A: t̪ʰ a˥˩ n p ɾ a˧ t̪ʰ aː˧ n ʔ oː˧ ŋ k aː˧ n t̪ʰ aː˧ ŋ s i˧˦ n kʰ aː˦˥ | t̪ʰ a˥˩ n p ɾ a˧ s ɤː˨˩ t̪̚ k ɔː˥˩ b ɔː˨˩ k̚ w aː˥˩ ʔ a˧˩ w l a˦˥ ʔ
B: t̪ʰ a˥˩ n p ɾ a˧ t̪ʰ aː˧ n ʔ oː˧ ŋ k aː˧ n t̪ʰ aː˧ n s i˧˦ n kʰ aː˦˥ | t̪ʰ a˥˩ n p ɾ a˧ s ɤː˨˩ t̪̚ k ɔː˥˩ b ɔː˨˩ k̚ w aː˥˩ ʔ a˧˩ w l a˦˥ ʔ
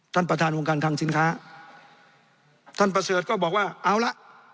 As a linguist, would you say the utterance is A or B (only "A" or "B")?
A